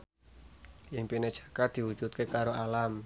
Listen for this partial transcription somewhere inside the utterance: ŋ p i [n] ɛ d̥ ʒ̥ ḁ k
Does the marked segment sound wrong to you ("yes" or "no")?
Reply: no